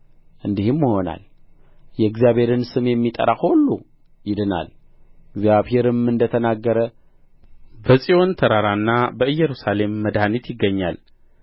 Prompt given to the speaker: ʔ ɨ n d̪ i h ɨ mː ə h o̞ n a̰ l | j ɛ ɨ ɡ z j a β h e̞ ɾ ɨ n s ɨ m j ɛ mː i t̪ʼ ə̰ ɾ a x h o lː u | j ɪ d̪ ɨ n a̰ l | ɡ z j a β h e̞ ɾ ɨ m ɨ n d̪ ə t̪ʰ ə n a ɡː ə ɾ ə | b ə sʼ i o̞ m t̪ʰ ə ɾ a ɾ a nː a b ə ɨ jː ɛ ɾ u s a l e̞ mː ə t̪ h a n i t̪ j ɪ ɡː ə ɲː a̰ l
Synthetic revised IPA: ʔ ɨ n d̪ i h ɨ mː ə h o̞ n a̰ l | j ɛ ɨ ɡ z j a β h e̞ ɾ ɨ n s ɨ m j ɛ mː i t̪ʼ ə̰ ɾ a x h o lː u | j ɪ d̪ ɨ n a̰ l | ɡ z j a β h e̞ ɾ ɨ m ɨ n d̪ ə t̪ʰ ə n a ɡː ə ɾ ə | b ə sʼ i o̞ n t̪ʰ ə ɾ a ɾ a nː a b ə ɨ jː ɛ ɾ u s a l e̞ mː ə d̪ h a n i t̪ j ɪ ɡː ə ɲː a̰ l